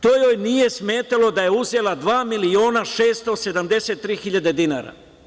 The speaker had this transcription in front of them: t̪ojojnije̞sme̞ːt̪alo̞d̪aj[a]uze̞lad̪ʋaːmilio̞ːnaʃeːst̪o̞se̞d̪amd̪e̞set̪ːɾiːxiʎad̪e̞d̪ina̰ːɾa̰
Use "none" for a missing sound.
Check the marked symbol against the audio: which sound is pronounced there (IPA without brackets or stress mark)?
e